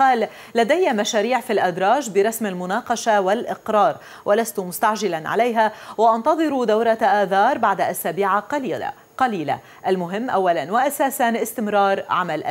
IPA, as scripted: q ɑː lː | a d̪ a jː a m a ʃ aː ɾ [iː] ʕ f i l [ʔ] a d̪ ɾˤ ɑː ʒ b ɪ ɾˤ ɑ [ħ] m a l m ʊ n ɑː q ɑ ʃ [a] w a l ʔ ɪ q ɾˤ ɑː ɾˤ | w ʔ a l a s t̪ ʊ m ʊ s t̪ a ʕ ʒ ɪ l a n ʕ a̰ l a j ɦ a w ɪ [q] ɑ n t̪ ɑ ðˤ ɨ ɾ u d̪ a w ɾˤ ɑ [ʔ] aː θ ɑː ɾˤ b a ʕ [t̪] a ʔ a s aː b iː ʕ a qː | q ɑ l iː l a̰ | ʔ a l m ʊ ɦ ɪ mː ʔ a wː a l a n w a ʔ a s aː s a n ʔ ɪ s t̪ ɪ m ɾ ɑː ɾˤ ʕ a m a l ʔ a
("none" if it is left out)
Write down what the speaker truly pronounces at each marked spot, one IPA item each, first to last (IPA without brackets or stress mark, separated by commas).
iː, ʔ, s, a, ʔ, ʔ, d̪